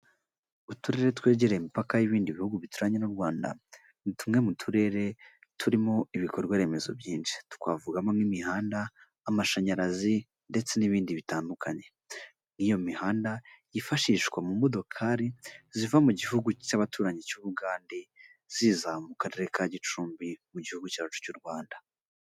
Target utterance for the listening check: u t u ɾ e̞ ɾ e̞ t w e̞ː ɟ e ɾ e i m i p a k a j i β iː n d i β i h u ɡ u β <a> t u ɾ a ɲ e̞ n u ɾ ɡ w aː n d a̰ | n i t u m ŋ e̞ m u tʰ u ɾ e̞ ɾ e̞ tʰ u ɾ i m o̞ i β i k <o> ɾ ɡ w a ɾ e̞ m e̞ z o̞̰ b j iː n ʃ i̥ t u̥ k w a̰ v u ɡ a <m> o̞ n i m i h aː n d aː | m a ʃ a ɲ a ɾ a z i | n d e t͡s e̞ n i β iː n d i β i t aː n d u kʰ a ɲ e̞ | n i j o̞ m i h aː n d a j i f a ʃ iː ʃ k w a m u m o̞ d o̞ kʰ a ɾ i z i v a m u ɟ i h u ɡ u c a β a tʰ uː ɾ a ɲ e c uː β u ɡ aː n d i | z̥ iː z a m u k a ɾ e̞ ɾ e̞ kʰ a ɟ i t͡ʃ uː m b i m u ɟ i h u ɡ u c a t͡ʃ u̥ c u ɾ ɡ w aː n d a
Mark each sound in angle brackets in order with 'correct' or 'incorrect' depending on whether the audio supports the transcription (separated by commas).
incorrect, correct, correct